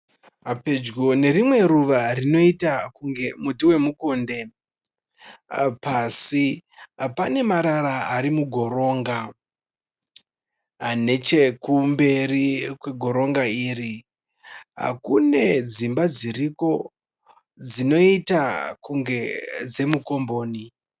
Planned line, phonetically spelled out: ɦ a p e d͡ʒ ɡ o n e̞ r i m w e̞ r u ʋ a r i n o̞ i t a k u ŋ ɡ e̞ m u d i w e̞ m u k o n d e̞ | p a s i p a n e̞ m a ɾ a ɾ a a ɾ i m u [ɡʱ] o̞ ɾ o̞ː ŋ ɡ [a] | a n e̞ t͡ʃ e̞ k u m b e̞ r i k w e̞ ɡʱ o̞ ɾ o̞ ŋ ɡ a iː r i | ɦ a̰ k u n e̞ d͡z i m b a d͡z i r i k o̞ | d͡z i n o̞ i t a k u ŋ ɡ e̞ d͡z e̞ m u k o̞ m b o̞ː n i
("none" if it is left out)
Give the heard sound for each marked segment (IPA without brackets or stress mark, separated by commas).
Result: ɡʱ, a